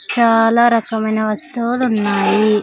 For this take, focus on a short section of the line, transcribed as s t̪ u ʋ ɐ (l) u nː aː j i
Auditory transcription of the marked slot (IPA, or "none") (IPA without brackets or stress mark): l